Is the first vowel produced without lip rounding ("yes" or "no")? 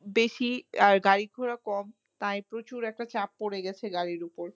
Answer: yes